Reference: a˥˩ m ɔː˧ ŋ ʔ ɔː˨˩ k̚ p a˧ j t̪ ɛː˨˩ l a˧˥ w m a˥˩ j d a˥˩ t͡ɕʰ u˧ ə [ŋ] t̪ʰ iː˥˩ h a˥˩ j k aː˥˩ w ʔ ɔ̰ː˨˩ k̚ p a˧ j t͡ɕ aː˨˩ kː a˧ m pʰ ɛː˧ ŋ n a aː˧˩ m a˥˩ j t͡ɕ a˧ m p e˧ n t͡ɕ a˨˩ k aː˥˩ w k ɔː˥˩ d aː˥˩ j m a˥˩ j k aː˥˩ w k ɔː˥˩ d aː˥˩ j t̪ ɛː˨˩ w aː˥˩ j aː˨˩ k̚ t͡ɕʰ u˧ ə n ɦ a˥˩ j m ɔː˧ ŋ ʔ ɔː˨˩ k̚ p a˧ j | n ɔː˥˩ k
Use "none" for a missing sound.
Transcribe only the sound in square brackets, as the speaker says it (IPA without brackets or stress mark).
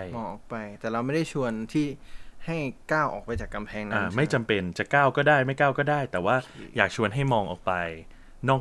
n